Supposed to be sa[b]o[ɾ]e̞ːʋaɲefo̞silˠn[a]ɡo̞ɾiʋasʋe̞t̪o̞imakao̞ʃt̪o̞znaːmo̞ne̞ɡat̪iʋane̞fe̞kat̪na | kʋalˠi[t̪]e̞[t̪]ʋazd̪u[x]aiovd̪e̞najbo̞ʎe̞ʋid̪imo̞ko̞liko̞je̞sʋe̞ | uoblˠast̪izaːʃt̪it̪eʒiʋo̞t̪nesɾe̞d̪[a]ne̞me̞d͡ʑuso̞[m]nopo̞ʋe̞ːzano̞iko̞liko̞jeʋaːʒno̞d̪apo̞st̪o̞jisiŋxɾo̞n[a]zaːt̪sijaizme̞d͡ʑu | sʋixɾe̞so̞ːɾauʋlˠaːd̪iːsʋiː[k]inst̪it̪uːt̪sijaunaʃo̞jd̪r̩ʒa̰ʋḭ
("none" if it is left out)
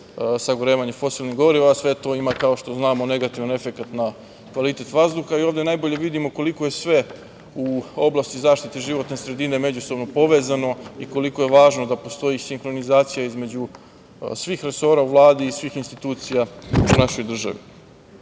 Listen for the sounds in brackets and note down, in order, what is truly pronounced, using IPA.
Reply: ɡ, ɾ, i, t̪, t̪, x, i, b, i, x

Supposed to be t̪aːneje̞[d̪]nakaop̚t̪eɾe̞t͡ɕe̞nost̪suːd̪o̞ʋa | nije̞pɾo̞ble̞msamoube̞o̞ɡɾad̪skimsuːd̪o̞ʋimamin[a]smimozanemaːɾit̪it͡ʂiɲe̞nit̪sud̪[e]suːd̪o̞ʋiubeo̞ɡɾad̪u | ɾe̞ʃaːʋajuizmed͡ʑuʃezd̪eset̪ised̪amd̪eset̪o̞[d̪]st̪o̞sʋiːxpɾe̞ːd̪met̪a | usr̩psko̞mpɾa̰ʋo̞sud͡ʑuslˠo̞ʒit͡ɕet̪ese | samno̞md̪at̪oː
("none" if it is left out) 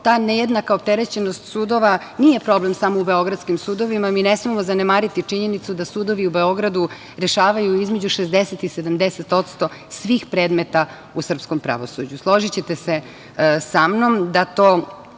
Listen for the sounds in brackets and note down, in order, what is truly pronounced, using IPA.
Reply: d̪, e, a, t̪

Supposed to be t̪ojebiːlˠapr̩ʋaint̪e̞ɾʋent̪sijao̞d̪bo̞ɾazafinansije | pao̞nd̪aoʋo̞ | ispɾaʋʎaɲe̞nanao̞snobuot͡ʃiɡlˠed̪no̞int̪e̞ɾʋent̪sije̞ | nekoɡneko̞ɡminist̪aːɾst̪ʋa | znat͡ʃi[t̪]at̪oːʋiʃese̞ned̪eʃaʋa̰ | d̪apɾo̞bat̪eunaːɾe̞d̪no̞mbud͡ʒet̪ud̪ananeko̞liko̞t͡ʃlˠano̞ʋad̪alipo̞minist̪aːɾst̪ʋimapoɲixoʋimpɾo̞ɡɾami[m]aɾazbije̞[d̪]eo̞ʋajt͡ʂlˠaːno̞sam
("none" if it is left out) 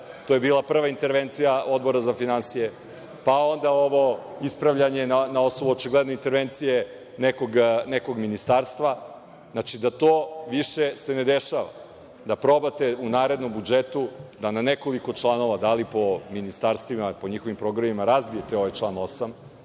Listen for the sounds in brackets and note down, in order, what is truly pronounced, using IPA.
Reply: d̪, m, t̪

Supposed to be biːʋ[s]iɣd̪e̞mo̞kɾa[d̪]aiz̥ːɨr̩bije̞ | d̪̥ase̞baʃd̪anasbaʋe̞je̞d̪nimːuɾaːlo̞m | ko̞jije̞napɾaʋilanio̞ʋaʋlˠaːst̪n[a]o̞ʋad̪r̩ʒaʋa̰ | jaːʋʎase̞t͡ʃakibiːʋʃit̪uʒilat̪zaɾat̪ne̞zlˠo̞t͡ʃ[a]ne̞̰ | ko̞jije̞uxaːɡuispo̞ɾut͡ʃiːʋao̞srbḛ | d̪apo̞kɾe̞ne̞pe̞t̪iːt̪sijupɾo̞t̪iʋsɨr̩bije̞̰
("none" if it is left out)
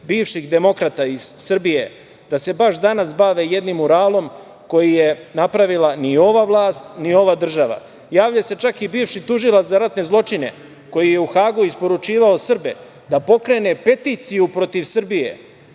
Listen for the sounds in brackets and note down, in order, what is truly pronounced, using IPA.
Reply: ʃ, t̪, i, i

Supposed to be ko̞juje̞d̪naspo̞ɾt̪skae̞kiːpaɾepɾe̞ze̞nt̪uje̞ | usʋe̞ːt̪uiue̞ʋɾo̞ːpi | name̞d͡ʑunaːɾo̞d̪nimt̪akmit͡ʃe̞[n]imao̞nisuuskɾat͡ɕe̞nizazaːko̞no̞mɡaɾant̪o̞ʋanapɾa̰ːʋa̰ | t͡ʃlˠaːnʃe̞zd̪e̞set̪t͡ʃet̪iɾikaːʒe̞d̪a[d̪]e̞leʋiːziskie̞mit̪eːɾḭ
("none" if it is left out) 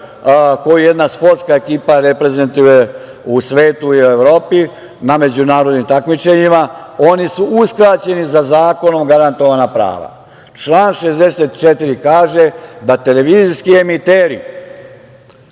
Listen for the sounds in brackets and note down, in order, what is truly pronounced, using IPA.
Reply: ɲ, t̪

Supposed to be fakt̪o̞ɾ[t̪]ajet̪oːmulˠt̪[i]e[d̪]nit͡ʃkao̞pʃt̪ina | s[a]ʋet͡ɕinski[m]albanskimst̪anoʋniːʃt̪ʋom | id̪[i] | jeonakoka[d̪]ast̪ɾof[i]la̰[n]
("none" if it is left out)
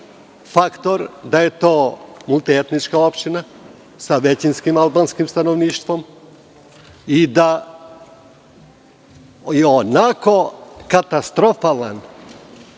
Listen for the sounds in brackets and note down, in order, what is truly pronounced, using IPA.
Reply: d̪, i, t̪, a, m, a, t̪, a, n

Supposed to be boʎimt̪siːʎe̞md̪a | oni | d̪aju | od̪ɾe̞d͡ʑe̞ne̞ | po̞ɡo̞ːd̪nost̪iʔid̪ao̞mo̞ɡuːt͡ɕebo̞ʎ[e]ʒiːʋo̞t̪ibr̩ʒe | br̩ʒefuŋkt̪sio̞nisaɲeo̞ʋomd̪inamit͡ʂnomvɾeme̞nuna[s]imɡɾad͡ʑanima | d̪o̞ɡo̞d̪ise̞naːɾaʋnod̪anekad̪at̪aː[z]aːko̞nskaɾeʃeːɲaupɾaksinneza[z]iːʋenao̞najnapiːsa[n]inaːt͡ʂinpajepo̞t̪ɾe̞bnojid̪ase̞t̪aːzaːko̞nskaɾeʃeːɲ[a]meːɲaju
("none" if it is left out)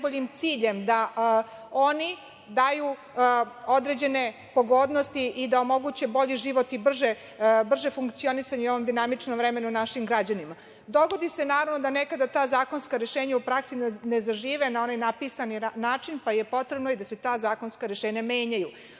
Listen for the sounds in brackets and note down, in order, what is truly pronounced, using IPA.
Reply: i, ʃ, z, ʒ, n, a

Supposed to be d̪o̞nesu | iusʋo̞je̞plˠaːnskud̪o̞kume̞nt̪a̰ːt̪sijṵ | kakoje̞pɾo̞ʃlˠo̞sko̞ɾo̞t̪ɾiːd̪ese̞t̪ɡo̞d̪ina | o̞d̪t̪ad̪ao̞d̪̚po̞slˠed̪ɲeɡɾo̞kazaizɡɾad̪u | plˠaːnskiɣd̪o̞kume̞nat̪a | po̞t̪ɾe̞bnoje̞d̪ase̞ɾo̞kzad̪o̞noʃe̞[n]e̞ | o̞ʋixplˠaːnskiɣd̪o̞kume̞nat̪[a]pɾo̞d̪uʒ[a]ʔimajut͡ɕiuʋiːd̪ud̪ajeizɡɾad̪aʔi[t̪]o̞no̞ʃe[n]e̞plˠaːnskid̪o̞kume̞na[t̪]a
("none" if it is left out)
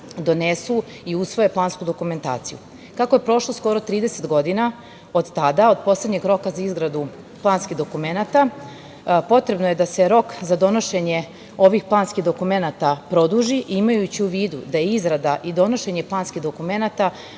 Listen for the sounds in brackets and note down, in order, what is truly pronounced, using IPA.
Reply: ɲ, a, i, d̪, ɲ, t̪

